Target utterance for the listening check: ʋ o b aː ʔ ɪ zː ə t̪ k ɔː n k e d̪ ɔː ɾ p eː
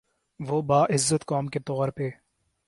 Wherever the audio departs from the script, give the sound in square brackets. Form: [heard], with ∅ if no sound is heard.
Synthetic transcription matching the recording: ʋ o b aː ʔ ɪ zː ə t̪ k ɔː [m] k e [t̪] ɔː ɾ p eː